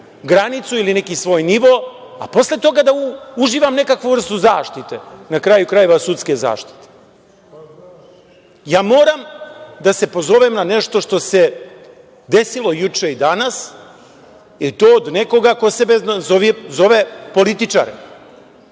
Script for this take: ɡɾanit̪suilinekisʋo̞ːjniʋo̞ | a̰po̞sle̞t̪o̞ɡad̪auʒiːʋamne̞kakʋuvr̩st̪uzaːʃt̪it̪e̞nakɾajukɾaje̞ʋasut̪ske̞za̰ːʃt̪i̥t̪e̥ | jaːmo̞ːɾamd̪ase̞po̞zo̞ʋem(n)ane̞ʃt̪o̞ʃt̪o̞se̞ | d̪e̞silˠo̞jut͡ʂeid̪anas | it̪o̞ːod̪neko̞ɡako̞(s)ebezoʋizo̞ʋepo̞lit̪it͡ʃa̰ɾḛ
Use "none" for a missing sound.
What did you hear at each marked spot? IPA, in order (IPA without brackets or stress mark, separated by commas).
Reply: n, s